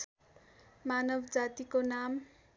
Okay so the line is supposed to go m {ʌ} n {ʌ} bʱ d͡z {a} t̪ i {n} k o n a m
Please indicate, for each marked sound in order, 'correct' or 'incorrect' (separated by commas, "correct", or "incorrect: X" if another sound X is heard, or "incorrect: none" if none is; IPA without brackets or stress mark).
incorrect: a, correct, correct, incorrect: none